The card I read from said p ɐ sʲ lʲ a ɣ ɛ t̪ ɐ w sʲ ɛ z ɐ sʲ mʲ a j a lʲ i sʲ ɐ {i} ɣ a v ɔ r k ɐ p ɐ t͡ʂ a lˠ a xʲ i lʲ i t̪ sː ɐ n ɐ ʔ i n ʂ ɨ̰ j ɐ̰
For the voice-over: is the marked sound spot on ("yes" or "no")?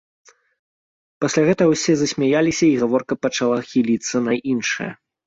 yes